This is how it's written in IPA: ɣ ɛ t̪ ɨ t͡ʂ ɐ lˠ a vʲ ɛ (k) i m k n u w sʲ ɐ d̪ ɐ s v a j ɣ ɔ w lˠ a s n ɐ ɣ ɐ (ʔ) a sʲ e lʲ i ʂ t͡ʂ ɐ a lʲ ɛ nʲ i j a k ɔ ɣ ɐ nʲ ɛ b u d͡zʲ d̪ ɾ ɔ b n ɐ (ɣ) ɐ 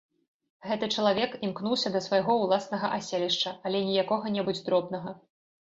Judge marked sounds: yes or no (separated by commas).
yes, yes, yes